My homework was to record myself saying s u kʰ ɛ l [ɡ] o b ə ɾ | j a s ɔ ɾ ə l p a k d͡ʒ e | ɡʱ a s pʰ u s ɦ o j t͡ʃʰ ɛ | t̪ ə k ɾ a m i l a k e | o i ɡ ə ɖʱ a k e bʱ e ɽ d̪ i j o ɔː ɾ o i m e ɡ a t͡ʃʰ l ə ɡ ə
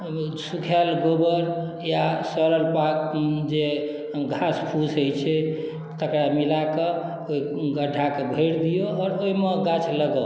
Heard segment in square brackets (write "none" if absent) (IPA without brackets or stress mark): ɡ